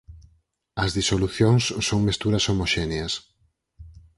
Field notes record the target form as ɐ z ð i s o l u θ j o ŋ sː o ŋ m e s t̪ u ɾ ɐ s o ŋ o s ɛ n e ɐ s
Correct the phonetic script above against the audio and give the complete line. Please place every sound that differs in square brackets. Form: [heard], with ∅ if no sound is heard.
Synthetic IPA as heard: ɐ z ð i s o l u θ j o ŋ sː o ŋ m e s t̪ u ɾ ɐ s o [m] o [ʃ] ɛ n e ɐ s

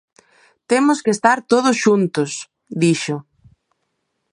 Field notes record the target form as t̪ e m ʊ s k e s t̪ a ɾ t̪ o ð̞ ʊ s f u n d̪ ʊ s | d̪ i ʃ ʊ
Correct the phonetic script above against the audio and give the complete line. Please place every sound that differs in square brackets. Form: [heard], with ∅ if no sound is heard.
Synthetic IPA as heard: t̪ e m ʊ s k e s t̪ a ɾ t̪ o ð̞ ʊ s [ʃ] u n [t̪] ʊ s | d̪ i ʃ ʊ

